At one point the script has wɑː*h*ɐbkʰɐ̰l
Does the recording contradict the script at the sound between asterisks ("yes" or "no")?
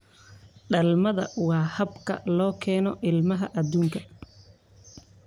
no